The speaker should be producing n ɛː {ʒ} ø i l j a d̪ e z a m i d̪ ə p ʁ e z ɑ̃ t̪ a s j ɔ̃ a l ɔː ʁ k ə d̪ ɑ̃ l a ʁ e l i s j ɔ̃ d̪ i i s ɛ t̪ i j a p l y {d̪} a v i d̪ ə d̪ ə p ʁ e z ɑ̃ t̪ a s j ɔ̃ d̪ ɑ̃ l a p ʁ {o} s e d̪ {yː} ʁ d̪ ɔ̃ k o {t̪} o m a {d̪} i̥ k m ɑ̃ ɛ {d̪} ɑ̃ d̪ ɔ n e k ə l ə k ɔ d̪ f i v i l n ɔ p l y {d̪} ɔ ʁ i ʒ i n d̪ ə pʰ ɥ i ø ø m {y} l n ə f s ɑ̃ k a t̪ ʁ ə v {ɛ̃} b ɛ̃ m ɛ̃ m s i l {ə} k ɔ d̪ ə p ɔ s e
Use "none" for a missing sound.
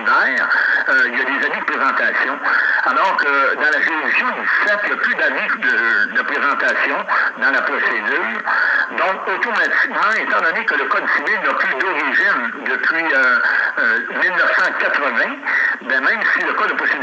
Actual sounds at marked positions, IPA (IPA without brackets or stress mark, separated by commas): ʁ, d̪, ɔ, yː, t̪, t̪, t̪, d̪, i, ɛ̃, ə